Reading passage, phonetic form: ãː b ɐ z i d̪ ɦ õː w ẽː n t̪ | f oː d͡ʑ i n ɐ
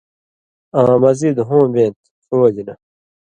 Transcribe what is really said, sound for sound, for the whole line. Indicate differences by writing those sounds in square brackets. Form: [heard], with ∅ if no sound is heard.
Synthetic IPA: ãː [m] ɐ z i d̪ ɦ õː [b] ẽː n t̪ | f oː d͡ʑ i n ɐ